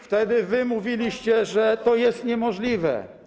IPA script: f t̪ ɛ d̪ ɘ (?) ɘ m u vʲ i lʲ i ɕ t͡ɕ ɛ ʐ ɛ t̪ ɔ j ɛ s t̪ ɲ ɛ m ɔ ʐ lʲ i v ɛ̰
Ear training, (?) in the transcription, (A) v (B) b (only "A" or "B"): A